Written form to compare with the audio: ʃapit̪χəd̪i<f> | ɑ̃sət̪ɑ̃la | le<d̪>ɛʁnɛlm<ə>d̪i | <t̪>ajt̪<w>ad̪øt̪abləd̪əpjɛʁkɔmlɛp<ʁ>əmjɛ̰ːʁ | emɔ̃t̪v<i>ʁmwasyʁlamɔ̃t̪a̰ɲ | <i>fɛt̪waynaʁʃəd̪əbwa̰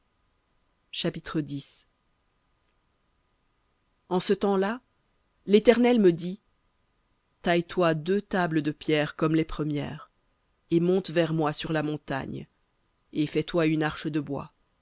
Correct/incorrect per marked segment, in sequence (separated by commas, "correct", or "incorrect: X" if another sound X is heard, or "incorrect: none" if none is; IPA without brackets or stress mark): incorrect: s, incorrect: t̪, correct, correct, correct, incorrect: χ, incorrect: ɛ, incorrect: e